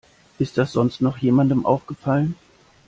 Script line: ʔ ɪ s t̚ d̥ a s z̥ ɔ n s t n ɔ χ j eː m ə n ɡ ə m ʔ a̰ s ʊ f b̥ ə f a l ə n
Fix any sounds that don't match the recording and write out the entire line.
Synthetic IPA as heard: ʔ ɪ s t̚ d̥ a s z̥ ɔ n s t n ɔ χ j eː m a n d ə m ʔ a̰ ʊ f ɡ̥ ə f a l ə n